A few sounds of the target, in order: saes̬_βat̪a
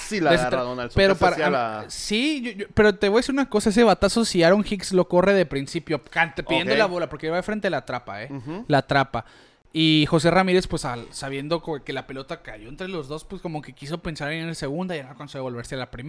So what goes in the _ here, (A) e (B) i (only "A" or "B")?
A